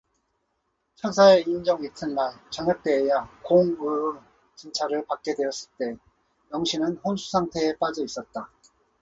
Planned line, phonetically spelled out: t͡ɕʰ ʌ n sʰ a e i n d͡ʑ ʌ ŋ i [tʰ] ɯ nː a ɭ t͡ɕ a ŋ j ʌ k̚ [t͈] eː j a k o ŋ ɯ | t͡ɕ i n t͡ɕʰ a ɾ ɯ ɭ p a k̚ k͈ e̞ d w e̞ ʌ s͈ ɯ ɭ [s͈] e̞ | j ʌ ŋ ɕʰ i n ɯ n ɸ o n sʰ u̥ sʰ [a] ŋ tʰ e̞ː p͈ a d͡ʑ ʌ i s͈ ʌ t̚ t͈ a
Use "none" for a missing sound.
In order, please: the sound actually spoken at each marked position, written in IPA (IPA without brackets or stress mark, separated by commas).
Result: tʰ, t͈, t͈, a